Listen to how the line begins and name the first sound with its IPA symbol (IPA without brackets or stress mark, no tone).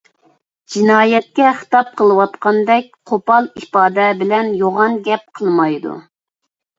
d͡ʒ